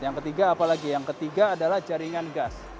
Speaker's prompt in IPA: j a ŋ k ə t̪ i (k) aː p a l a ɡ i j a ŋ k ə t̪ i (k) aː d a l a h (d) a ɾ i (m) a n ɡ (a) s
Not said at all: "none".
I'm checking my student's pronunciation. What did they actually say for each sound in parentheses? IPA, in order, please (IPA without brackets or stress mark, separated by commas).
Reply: ɡ, ɡ, d͡ʒ, ŋ, a